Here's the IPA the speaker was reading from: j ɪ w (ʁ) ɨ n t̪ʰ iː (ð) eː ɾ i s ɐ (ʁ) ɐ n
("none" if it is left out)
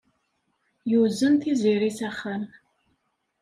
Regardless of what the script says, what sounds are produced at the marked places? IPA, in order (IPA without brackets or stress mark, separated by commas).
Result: z, z, χ